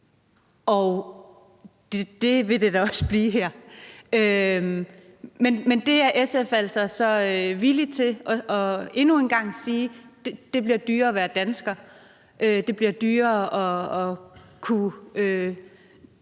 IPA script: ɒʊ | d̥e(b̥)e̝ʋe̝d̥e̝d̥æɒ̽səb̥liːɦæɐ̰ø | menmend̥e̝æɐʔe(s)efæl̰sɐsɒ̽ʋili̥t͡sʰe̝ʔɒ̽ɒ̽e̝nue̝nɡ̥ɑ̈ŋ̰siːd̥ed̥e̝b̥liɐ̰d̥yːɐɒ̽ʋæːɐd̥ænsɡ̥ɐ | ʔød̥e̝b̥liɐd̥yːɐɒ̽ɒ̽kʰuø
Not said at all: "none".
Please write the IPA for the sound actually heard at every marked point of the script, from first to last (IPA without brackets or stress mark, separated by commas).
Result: d̥, s